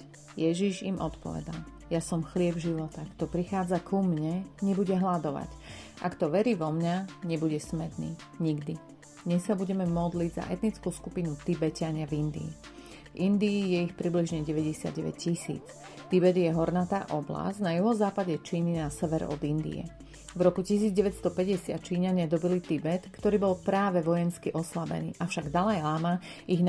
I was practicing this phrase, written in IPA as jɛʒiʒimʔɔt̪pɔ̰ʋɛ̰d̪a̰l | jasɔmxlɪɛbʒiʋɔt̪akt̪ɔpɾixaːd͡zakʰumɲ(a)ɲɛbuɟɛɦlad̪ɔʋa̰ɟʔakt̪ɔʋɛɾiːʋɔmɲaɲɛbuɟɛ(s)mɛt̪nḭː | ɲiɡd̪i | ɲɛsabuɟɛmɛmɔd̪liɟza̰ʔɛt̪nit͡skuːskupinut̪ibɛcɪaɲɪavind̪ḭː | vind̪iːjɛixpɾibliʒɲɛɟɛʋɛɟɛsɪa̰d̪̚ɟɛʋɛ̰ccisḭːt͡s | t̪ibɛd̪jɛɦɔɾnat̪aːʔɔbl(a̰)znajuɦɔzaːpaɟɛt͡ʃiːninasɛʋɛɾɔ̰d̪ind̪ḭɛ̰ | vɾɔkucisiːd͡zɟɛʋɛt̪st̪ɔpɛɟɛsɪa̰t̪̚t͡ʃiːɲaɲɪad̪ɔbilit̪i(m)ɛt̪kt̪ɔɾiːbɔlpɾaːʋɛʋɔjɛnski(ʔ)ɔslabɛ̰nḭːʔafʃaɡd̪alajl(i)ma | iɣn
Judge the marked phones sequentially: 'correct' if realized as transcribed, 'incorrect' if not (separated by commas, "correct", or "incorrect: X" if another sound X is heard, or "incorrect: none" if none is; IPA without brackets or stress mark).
incorrect: ɛ, correct, correct, incorrect: b, correct, incorrect: a